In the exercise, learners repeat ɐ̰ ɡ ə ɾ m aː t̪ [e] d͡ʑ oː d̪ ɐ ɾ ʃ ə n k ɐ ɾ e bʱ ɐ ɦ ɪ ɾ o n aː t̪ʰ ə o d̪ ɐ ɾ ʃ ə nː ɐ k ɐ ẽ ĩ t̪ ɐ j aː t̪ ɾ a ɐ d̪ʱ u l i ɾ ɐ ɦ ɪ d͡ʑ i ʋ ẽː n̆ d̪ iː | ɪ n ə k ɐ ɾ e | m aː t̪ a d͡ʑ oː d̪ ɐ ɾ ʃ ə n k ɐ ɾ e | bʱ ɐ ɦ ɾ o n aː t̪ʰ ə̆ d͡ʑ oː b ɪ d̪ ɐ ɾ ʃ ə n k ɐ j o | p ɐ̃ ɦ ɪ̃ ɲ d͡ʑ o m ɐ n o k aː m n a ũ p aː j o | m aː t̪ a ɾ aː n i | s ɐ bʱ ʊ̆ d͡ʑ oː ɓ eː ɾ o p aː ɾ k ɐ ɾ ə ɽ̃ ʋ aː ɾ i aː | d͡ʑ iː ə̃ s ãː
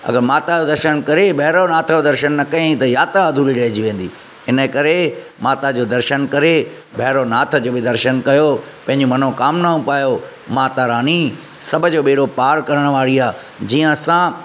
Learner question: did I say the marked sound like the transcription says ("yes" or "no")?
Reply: no